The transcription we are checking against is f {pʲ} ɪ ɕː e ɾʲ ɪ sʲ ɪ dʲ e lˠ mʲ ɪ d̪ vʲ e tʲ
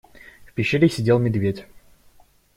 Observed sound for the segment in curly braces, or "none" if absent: pʲ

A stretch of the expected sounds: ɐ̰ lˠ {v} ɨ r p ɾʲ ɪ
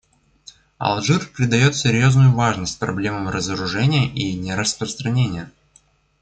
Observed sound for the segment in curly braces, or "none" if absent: ʐ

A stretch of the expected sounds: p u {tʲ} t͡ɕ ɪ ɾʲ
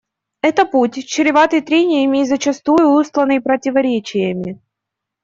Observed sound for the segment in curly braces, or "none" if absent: tʲ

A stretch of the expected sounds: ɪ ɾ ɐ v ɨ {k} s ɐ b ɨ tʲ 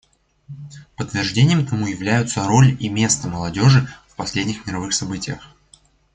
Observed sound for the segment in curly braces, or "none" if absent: x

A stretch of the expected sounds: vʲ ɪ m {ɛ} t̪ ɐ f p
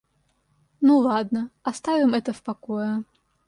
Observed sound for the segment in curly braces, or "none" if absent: ɛ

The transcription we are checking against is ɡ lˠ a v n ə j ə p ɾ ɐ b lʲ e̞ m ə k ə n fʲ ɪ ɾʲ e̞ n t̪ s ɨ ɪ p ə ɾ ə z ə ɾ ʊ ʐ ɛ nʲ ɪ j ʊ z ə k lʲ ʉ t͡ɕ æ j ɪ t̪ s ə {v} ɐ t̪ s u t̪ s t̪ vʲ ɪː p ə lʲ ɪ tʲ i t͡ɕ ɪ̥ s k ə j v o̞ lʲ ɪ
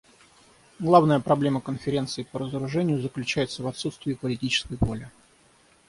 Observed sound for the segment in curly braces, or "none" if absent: v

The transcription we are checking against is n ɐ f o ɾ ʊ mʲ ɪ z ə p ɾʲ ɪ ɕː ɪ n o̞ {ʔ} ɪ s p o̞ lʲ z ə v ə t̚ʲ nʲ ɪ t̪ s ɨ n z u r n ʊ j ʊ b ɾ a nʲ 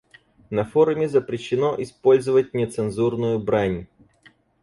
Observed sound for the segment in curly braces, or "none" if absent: ʔ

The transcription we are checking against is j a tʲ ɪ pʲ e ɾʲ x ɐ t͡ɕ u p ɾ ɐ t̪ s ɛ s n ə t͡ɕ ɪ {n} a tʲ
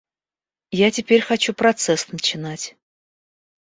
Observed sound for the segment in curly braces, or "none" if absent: n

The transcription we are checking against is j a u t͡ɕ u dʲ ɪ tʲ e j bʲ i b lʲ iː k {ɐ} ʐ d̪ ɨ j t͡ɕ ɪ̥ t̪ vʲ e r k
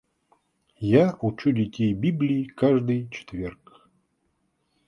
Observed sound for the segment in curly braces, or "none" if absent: a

